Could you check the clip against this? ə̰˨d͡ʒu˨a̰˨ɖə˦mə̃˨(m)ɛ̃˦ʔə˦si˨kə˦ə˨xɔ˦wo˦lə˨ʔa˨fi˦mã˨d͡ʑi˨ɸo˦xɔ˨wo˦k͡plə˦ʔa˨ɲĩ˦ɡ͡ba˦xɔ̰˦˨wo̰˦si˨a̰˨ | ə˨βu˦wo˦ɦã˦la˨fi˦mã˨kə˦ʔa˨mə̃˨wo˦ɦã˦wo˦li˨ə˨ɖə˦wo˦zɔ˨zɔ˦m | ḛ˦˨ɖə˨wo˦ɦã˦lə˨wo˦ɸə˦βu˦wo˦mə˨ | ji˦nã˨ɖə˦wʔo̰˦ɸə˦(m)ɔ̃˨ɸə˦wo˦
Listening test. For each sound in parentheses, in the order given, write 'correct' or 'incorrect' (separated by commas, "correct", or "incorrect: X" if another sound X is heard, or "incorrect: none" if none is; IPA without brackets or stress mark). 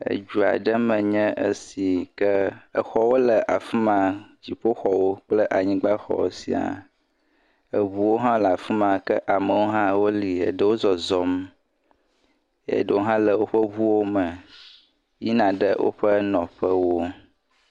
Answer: incorrect: ɲ, incorrect: n